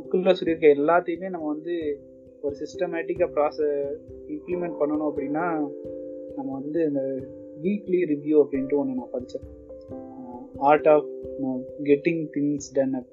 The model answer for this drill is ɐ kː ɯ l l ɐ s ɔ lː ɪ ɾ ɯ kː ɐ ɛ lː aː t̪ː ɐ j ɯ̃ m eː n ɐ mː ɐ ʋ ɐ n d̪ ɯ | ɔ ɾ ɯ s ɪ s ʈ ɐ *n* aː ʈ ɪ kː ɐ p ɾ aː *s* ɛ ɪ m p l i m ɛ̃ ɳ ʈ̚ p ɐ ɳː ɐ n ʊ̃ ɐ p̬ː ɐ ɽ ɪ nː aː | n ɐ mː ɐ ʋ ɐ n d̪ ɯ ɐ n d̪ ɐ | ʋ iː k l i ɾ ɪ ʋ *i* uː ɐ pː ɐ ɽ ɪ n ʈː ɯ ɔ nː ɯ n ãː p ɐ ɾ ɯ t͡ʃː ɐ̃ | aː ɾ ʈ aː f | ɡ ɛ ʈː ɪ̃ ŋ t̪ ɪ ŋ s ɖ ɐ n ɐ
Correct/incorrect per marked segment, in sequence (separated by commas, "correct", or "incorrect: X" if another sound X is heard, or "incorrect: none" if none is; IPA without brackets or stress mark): incorrect: m, correct, incorrect: j